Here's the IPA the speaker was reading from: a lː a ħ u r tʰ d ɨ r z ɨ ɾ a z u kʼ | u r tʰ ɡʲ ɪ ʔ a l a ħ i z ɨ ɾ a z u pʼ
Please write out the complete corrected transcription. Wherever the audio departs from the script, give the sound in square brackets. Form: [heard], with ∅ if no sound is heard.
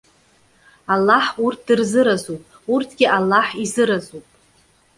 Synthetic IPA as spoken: a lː a ħ u r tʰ d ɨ r z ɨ ɾ a z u [pʼ] | u r tʰ ɡʲ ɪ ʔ a [lː] a ħ i z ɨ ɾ a z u pʼ